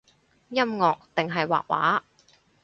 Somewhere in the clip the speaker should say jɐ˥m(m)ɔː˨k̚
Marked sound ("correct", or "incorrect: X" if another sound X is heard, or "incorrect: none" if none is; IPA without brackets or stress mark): incorrect: ŋ